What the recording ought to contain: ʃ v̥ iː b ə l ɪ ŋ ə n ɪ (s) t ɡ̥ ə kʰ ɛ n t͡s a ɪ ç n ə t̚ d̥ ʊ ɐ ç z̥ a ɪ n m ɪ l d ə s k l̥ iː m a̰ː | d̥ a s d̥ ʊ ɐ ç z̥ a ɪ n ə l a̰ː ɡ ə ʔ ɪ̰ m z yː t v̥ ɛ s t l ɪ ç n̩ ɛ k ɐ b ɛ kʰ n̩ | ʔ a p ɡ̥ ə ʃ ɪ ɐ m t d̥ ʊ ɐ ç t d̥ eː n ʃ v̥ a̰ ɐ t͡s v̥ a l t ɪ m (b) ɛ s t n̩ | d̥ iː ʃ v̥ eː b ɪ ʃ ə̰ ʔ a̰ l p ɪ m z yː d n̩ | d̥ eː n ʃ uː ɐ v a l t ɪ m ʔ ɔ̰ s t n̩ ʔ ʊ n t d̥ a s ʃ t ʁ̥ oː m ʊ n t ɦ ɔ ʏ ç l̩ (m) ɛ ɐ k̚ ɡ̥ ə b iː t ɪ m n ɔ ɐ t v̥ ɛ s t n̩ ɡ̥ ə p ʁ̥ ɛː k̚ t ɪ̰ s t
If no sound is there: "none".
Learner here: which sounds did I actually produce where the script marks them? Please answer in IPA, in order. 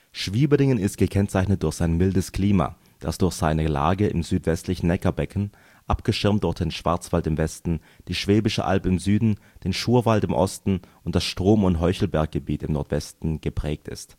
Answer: s, v, b

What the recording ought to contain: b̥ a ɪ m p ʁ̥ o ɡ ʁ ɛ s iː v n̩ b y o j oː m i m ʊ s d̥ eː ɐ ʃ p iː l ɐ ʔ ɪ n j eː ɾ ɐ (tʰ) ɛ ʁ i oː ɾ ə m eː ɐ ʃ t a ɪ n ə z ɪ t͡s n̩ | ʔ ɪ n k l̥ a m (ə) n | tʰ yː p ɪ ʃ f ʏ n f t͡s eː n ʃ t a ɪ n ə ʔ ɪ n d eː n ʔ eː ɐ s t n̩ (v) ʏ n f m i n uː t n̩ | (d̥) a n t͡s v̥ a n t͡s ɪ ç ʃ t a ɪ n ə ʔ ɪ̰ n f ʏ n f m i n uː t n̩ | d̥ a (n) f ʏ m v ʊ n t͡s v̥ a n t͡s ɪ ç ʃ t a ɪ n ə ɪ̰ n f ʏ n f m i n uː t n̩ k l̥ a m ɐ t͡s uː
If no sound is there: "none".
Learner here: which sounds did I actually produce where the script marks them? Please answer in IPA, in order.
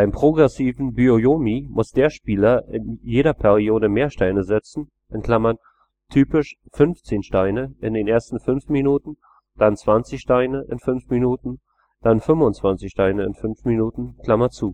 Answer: pʰ, ɐ, f, d̥, n

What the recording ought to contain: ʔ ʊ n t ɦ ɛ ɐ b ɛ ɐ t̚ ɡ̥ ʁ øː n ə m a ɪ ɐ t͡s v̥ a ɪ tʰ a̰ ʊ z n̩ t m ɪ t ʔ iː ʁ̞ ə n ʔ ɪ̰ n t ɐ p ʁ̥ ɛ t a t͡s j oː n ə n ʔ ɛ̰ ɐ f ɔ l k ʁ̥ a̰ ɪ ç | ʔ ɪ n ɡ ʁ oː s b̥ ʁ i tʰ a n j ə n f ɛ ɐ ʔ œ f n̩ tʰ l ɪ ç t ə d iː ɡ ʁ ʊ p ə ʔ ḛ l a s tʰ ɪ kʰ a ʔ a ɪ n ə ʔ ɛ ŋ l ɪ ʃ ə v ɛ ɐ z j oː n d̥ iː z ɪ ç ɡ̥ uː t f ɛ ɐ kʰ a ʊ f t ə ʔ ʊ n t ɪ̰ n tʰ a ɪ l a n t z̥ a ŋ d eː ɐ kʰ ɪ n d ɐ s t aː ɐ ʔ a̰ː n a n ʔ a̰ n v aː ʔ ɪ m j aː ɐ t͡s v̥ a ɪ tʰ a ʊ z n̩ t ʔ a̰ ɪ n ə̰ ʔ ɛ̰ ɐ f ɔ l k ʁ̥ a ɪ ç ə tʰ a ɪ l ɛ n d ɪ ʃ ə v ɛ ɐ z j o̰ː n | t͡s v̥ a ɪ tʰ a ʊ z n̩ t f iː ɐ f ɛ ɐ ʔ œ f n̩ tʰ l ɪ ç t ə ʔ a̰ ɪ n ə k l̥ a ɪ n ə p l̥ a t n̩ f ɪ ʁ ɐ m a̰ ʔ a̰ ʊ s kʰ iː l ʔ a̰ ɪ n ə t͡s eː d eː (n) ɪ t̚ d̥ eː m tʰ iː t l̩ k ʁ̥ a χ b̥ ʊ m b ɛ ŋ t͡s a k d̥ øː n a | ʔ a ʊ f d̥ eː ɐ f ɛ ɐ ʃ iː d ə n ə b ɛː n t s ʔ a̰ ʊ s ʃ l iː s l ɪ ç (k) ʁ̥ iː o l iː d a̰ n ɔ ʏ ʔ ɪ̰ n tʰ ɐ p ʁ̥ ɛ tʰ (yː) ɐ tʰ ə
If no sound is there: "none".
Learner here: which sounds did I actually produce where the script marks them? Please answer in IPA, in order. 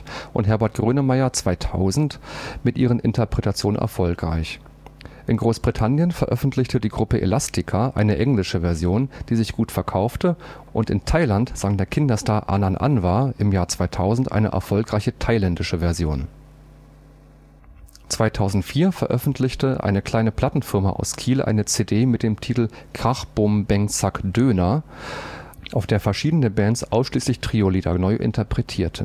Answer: m, t, iː

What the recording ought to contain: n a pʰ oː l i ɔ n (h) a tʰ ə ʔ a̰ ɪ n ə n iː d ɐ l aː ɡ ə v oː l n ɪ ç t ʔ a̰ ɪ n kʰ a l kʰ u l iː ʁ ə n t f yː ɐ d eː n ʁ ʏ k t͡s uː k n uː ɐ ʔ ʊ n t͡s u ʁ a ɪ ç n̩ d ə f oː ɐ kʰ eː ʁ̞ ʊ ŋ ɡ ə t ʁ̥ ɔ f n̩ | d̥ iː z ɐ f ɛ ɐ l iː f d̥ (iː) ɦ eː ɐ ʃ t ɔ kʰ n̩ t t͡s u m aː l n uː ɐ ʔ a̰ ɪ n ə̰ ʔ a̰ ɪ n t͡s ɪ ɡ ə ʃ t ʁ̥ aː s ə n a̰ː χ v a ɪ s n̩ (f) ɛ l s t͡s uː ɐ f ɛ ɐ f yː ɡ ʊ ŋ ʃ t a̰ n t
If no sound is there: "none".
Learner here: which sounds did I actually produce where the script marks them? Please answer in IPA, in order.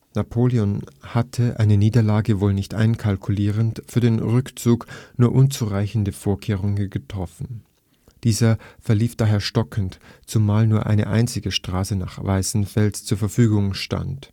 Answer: h, aː, f

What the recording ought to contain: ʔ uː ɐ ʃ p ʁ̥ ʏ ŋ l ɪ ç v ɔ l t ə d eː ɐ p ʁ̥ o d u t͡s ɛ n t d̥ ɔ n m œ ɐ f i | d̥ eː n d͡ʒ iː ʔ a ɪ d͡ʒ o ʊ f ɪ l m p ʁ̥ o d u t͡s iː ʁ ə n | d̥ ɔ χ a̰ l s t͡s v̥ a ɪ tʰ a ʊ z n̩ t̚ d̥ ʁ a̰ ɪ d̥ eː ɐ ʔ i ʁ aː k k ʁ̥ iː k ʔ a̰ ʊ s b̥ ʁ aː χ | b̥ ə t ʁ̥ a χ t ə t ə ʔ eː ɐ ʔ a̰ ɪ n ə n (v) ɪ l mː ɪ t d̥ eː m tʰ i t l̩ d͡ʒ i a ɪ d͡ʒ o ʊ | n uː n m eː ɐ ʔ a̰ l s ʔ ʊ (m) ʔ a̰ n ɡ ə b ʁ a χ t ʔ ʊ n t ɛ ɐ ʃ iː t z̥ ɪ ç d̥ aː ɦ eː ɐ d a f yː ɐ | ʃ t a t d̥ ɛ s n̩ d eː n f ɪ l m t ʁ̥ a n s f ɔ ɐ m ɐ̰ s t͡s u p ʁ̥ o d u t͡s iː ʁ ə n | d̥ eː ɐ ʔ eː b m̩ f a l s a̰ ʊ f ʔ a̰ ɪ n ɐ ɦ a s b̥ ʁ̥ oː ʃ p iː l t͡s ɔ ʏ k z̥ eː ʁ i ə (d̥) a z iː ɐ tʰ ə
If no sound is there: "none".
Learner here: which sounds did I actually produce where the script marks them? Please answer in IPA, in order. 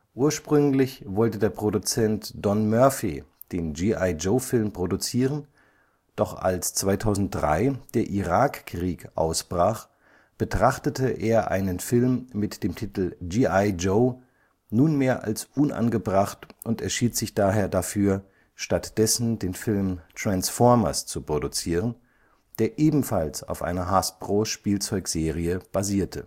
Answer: f, n, b̥

